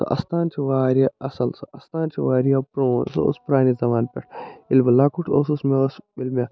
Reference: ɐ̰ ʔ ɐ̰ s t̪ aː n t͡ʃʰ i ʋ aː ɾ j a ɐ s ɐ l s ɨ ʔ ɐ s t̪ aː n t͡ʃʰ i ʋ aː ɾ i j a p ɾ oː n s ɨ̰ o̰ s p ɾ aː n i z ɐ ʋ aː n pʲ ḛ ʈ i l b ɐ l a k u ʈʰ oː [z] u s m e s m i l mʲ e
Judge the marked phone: incorrect: s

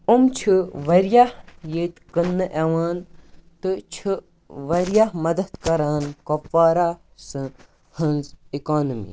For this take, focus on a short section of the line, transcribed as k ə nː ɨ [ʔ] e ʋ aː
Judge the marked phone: correct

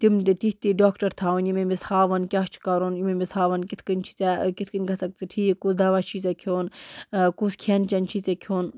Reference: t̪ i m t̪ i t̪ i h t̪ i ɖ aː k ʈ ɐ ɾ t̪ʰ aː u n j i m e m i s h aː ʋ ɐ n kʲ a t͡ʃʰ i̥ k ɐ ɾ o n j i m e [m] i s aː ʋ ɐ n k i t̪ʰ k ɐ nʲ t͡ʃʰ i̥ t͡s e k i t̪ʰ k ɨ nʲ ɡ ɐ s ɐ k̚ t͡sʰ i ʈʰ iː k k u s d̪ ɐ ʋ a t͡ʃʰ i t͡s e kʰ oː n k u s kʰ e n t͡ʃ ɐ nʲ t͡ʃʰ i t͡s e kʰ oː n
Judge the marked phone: correct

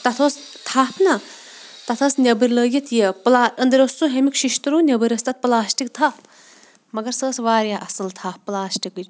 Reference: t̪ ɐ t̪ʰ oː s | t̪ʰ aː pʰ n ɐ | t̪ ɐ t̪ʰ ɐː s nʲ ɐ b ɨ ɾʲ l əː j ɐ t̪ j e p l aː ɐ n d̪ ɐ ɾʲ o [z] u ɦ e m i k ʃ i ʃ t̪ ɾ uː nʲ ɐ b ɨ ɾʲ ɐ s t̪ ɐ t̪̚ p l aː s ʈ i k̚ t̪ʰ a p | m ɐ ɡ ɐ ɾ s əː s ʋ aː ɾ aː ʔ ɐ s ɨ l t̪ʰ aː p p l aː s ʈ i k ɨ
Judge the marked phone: incorrect: s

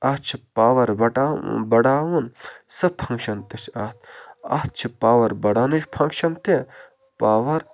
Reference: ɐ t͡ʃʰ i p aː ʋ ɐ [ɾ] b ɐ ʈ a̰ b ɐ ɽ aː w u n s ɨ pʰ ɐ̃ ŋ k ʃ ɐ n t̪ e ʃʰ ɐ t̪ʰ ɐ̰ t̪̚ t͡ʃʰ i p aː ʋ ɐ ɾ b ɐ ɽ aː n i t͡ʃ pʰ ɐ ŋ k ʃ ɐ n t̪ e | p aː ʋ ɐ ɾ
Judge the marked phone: correct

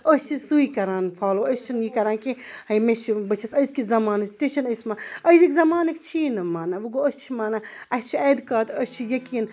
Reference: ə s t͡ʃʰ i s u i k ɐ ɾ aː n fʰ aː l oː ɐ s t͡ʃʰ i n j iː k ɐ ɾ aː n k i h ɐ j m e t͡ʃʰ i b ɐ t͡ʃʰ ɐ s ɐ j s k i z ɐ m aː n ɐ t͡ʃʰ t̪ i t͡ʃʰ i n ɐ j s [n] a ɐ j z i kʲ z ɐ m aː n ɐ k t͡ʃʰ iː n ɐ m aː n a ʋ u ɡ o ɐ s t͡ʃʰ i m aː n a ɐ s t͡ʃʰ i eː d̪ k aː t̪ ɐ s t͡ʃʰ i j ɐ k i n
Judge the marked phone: incorrect: m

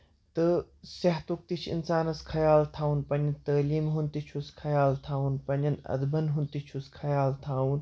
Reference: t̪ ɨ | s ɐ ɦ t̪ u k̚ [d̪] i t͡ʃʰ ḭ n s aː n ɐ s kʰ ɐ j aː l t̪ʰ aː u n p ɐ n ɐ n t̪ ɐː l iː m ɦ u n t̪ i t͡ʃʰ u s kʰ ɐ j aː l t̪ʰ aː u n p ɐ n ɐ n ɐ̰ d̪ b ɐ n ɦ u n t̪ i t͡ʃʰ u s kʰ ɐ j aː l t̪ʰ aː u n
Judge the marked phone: incorrect: t̪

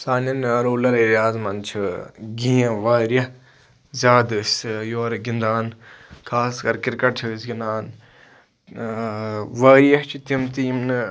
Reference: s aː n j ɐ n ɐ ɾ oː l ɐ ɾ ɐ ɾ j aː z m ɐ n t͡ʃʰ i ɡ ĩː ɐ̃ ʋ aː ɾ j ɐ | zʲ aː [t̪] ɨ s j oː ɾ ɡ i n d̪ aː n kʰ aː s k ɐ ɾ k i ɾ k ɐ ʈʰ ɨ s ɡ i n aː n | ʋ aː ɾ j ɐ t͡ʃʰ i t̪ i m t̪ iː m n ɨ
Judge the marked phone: incorrect: d̪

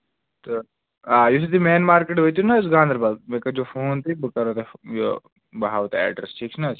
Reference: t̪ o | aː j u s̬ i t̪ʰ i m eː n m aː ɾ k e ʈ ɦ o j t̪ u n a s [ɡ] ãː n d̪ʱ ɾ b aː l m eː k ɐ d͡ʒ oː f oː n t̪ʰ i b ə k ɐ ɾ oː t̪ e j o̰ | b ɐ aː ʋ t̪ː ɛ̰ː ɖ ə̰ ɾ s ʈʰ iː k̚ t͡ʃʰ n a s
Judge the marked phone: correct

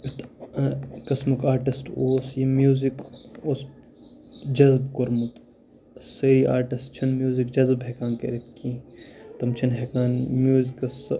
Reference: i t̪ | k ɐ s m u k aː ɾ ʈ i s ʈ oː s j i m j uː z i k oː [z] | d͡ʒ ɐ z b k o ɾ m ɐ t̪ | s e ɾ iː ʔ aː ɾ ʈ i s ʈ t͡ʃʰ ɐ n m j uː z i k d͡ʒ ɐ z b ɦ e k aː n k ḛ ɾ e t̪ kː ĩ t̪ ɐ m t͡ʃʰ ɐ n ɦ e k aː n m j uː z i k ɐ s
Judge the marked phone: incorrect: s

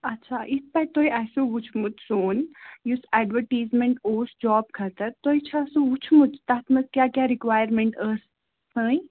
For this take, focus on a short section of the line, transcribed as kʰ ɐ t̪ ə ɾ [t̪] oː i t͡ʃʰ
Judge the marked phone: correct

